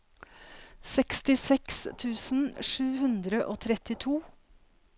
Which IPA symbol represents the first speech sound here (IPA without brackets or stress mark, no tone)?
s